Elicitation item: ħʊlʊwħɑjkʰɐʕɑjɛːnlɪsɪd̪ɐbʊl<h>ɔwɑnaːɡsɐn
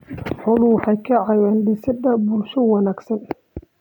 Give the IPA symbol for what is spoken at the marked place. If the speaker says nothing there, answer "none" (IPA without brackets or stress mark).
ʃ